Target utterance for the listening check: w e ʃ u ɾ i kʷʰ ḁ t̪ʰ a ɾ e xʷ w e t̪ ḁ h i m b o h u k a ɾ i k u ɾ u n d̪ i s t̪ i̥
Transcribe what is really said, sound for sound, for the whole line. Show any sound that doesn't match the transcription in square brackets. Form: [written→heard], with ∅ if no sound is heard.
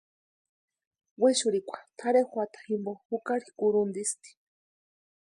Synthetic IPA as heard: w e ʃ u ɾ i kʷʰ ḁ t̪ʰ a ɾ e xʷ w [e→a] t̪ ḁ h i m b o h u k a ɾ i k u ɾ u n d̪ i s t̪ i̥